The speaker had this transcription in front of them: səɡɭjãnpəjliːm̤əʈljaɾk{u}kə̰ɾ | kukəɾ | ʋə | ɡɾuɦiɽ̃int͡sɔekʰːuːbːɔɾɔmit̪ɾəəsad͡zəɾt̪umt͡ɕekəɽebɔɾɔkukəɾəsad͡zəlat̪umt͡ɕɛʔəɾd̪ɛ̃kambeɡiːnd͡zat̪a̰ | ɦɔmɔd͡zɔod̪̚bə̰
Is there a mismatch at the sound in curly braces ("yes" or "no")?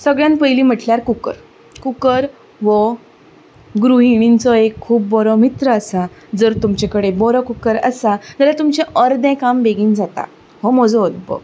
no